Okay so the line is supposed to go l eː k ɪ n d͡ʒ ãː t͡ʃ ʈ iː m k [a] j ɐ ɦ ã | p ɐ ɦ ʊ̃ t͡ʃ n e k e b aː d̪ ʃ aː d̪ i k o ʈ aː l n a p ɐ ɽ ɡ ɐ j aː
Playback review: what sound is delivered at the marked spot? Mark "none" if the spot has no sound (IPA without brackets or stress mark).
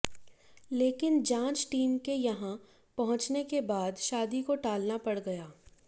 e